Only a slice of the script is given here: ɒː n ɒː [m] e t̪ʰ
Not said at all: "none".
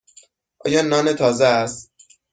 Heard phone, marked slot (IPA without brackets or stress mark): n